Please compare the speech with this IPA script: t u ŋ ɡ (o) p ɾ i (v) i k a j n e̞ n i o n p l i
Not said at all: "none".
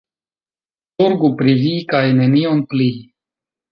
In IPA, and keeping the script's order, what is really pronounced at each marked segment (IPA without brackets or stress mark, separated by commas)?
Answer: u, v